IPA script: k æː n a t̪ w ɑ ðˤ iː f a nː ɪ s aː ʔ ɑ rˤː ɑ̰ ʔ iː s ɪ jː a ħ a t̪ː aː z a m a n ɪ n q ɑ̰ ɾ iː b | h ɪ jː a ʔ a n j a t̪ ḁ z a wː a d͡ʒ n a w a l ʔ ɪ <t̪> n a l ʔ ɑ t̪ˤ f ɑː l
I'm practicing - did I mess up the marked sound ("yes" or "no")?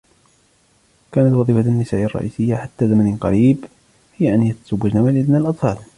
yes